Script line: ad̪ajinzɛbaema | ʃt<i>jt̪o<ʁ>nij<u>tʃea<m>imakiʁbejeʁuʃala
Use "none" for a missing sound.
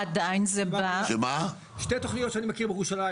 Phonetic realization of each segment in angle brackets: e, χ, o, n

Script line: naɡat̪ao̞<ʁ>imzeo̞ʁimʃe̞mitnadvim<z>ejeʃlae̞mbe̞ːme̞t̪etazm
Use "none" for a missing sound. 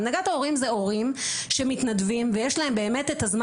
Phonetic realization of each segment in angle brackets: ʁ, v

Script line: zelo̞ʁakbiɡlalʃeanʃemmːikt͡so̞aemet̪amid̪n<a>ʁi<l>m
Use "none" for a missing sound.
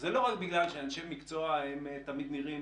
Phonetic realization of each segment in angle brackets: i, none

